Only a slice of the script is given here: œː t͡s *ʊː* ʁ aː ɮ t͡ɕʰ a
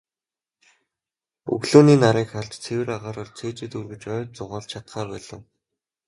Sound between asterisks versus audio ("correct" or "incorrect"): incorrect